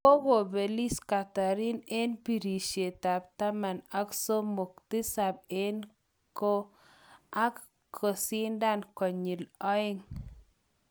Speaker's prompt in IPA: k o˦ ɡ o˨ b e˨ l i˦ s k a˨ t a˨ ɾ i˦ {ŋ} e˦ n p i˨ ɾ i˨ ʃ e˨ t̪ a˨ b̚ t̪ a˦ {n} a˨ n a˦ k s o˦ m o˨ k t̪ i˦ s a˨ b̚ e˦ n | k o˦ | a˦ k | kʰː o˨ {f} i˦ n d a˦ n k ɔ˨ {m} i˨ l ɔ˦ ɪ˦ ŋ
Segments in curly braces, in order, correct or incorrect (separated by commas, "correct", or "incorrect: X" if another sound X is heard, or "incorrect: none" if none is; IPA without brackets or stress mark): incorrect: n, incorrect: m, incorrect: s, incorrect: ɲ